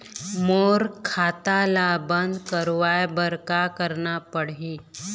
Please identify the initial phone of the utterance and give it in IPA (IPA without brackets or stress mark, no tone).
m